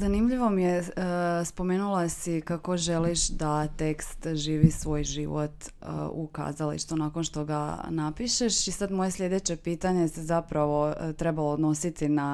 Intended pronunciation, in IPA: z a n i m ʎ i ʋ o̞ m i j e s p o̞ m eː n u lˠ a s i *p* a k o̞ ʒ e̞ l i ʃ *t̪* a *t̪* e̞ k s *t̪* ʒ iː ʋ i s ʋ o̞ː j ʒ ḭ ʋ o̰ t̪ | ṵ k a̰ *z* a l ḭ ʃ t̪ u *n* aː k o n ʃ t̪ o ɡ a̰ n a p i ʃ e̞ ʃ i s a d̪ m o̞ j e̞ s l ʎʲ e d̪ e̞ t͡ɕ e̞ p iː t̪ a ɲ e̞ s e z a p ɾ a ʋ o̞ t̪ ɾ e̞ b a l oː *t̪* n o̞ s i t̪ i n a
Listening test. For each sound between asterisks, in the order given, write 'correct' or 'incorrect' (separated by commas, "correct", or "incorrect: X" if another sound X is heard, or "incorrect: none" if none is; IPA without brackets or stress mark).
incorrect: k, incorrect: d̪, correct, correct, correct, correct, incorrect: d̪